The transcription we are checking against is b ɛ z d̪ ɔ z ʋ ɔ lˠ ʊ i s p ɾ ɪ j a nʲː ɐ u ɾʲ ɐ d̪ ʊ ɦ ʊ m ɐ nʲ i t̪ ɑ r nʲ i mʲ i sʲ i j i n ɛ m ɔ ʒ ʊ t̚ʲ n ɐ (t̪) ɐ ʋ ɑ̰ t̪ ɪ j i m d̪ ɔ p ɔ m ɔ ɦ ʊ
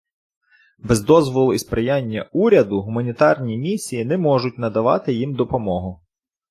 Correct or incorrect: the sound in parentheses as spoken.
incorrect: d̪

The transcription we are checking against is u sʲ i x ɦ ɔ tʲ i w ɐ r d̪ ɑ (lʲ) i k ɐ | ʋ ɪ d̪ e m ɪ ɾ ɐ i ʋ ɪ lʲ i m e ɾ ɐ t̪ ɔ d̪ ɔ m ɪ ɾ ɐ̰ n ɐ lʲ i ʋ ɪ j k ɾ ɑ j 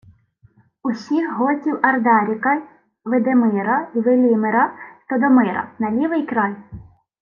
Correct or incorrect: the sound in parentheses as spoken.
incorrect: ɾʲ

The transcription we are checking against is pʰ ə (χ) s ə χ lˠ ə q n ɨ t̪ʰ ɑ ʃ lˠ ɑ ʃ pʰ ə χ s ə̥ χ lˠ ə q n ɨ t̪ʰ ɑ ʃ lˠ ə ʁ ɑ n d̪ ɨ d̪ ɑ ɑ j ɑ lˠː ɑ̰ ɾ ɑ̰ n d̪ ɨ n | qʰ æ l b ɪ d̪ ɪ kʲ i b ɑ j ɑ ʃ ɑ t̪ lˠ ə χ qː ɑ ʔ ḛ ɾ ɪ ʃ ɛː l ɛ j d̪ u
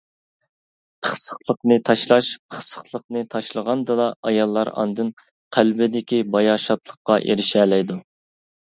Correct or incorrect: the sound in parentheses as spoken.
correct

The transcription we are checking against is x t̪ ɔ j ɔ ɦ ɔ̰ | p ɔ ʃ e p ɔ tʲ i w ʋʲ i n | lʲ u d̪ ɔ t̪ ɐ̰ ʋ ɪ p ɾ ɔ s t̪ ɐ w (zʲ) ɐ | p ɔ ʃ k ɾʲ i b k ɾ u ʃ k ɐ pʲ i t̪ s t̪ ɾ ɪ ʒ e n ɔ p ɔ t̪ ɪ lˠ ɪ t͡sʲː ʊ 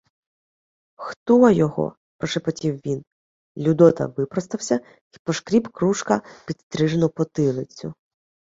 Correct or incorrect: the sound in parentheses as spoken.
incorrect: sʲ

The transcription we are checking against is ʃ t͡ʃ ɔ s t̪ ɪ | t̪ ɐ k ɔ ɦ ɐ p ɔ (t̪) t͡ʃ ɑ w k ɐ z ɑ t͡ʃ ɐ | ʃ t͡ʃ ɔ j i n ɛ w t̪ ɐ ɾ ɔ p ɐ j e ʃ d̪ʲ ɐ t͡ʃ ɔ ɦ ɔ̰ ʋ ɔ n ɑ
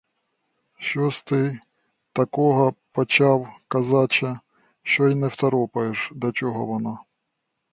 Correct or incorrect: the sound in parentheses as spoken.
incorrect: none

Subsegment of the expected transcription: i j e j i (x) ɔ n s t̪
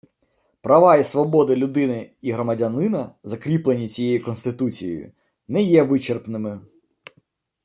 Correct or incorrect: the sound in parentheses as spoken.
incorrect: k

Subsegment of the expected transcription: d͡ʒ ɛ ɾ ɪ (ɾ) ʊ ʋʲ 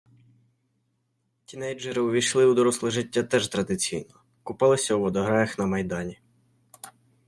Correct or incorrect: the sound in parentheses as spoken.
incorrect: none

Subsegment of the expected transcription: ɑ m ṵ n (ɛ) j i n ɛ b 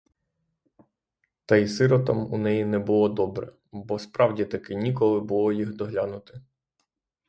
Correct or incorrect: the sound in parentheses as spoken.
correct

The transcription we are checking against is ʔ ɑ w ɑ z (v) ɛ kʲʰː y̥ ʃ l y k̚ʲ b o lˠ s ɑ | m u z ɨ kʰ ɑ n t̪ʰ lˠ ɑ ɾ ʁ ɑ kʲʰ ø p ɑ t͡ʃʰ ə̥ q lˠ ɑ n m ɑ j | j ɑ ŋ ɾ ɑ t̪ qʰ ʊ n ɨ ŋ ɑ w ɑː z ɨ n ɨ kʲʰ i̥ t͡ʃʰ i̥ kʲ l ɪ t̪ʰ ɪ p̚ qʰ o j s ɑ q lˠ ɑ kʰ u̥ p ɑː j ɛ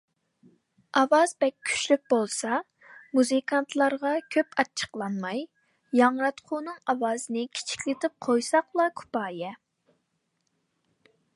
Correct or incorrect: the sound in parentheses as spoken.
incorrect: b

